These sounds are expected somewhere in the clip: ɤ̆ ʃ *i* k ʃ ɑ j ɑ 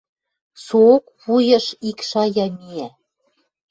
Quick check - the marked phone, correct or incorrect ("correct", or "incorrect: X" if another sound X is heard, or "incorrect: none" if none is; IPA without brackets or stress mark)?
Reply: correct